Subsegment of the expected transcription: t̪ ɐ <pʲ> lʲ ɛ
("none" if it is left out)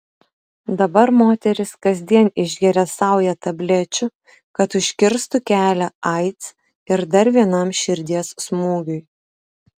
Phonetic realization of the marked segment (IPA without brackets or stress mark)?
bʲ